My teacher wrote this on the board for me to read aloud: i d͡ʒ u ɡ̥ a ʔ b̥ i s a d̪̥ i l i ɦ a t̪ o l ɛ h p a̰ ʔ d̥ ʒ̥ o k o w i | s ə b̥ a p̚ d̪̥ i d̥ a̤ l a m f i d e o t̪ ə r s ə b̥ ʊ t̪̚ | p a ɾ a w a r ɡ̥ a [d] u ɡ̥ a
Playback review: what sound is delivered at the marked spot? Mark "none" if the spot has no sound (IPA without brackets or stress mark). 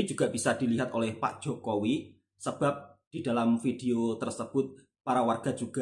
d͡ʒ